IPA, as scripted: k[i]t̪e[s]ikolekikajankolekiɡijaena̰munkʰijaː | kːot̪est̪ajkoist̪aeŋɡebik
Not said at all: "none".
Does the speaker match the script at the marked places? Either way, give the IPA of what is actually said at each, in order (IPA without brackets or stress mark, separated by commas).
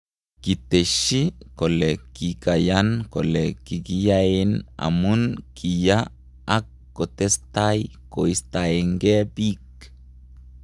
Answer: i, ʃ